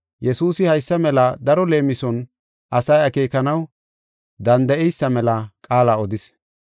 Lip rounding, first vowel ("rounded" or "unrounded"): unrounded